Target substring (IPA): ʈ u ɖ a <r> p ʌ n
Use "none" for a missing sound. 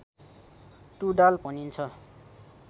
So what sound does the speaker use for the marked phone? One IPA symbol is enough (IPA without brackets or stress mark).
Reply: l